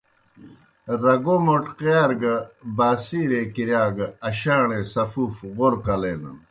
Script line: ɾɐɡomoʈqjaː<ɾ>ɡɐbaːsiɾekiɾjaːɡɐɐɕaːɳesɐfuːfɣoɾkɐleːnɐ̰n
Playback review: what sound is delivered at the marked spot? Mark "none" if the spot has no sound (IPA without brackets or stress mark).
ɾ